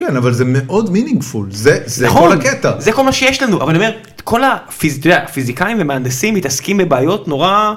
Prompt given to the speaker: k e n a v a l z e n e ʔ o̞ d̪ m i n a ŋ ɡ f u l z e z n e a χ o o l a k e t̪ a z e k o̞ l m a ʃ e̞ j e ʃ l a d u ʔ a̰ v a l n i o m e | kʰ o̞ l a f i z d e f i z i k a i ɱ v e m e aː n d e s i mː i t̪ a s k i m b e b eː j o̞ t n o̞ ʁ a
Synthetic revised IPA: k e n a v a l z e m e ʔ o̞ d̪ m i n i ŋ ɡ f u l z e z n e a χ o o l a k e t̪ a z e k o̞ l m a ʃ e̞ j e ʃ l a n u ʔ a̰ v a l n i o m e | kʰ o̞ l a f i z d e f i z i k a i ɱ v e m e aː n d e s i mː i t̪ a s k i m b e b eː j o̞ t n o̞ ʁ a